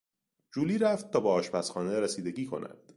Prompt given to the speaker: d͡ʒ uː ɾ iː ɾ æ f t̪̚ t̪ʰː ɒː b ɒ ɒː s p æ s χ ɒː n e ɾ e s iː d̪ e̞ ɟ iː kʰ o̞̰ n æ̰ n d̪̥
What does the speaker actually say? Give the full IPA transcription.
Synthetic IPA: d͡ʒ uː l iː ɾ æ f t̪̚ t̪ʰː ɒː b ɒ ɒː ʃ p æ s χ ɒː n e ɾ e s iː d̪ e̞ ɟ iː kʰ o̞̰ n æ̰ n d̪̥